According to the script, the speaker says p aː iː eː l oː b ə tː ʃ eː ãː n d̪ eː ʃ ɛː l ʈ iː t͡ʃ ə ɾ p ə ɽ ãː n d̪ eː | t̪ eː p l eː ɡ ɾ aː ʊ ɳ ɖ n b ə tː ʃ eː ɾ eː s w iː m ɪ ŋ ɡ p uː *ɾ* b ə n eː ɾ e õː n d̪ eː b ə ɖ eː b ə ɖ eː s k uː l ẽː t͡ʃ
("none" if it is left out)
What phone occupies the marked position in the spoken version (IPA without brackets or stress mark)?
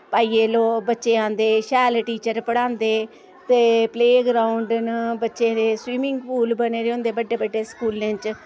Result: l